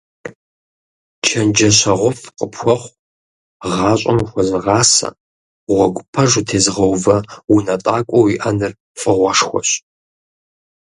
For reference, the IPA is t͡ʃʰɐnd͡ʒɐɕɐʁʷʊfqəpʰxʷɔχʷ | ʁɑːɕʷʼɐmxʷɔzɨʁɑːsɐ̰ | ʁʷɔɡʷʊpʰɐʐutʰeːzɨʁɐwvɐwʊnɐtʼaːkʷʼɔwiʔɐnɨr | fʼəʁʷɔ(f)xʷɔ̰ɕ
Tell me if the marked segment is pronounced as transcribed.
no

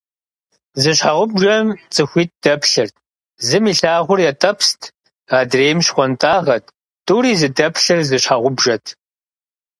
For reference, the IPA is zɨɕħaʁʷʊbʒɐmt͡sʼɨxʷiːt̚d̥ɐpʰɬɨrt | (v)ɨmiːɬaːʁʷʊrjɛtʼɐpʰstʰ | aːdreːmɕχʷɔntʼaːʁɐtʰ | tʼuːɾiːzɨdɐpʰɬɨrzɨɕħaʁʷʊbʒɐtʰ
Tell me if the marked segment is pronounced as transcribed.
no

